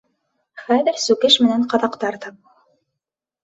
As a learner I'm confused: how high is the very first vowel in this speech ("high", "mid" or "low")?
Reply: low